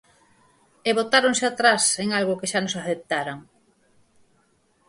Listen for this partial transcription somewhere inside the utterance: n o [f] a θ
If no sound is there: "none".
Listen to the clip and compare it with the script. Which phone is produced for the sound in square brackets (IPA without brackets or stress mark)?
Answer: s